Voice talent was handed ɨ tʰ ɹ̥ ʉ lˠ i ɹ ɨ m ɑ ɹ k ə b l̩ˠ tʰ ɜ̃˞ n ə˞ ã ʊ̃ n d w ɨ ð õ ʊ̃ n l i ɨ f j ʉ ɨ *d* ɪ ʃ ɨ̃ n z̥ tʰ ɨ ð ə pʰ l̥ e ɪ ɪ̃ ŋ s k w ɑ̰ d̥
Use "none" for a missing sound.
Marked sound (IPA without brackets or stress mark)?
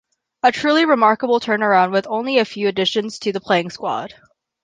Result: d